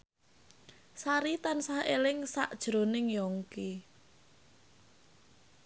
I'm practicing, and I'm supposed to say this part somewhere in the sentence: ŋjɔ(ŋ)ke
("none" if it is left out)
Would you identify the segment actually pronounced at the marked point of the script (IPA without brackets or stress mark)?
ŋ